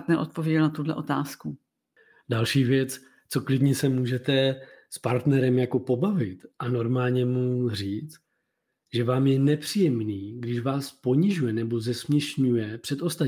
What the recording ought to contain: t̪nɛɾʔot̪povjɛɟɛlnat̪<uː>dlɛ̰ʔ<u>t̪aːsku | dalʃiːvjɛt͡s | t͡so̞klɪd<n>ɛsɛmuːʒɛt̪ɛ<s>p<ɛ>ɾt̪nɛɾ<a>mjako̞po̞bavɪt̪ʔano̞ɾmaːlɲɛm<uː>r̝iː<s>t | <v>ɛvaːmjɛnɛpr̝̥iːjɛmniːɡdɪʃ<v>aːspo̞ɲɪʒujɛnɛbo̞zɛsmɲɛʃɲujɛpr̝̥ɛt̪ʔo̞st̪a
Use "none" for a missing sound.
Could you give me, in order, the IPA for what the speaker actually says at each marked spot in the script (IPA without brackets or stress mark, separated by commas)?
u, o, ɲ, s, a, ɛ, u, t͡s, ʒ, v